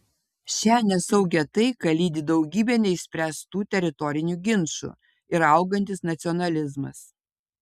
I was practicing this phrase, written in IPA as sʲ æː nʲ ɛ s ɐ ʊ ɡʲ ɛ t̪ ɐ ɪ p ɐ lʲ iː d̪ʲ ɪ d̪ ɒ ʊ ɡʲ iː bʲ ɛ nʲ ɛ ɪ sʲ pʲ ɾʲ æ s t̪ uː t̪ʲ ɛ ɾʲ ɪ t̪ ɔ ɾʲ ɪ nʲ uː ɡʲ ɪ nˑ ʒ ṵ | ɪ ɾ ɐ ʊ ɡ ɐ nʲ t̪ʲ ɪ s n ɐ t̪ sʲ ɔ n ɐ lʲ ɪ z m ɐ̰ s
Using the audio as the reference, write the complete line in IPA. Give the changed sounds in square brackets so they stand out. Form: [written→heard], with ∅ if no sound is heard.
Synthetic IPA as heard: [sʲ→ʃʲ] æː nʲ ɛ s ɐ ʊ ɡʲ ɛ t̪ ɐ ɪ [p→k] ɐ lʲ iː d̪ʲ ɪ d̪ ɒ ʊ ɡʲ iː bʲ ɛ nʲ ɛ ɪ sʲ pʲ ɾʲ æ s t̪ uː t̪ʲ ɛ ɾʲ ɪ t̪ ɔ ɾʲ ɪ nʲ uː ɡʲ ɪ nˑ [ʒ→ʃ] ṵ | ɪ ɾ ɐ ʊ ɡ ɐ nʲ t̪ʲ ɪ s n ɐ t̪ sʲ ɔ n ɐ lʲ ɪ z m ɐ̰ s